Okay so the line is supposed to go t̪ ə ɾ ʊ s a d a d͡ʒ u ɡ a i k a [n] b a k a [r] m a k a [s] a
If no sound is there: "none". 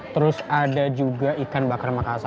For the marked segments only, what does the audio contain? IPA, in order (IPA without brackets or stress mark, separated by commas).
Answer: n, r, s